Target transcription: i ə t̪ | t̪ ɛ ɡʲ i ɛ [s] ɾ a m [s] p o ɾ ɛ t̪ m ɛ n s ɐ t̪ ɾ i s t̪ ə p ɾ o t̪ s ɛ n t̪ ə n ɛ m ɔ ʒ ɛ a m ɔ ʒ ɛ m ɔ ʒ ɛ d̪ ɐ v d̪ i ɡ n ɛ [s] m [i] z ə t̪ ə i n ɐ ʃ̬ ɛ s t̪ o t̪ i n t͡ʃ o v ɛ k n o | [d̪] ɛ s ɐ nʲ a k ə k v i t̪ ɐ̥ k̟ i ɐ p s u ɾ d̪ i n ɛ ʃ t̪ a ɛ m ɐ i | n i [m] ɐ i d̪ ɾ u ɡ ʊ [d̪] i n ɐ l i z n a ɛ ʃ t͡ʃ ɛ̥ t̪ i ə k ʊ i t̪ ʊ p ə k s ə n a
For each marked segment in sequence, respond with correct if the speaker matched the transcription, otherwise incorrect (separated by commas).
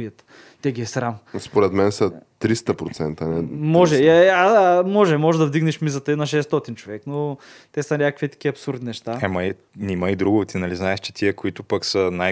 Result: correct, correct, incorrect, correct, incorrect, correct, incorrect